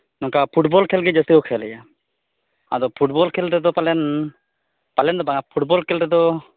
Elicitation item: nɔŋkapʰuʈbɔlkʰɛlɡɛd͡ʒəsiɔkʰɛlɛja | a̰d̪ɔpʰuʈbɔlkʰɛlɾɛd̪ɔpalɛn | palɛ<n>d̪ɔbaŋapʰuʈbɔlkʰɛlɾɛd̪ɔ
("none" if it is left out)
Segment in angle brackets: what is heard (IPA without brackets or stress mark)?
n